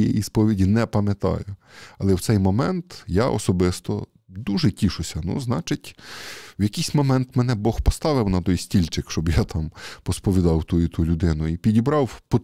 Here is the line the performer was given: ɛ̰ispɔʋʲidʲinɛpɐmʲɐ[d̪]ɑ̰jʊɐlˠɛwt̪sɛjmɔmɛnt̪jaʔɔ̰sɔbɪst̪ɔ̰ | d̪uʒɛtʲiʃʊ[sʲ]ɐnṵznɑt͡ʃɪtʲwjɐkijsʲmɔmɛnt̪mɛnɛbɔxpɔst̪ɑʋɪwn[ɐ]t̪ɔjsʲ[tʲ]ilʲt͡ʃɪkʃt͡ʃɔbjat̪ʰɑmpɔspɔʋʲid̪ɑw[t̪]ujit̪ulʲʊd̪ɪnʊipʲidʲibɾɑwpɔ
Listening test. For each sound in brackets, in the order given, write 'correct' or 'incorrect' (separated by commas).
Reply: incorrect, correct, correct, correct, correct